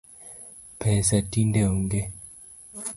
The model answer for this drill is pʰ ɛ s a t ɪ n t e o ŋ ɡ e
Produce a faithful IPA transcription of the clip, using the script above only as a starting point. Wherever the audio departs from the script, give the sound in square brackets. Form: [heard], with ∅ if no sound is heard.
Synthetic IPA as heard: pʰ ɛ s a t [i] n [d] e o ŋ ɡ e